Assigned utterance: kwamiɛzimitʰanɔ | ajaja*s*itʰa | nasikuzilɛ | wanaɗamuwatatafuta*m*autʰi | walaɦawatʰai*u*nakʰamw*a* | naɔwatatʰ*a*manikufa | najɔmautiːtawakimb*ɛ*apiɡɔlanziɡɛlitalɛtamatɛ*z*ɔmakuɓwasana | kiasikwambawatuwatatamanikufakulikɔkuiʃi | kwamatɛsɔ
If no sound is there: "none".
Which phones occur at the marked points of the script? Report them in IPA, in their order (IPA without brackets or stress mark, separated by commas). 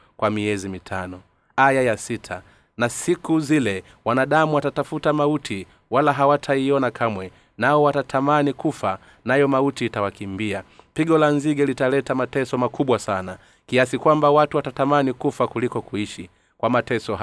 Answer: s, m, ɔ, ɛ, a, i, s